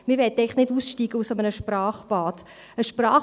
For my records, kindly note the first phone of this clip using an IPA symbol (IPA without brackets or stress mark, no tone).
m